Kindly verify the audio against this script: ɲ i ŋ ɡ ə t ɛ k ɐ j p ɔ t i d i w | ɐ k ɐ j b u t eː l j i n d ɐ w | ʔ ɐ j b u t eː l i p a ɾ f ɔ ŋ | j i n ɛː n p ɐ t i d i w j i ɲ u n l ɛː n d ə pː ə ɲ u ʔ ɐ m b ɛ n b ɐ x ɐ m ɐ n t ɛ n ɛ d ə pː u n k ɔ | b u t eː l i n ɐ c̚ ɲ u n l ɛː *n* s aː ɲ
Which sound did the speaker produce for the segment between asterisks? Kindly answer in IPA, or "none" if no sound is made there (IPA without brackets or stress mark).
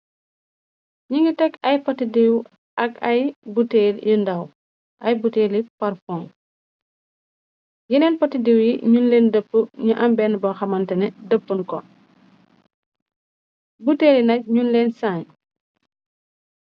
n